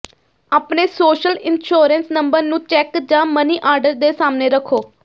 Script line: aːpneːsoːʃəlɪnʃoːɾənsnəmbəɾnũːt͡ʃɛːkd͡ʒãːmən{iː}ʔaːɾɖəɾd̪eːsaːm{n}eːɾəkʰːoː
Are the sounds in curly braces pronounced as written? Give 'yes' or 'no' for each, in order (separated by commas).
yes, yes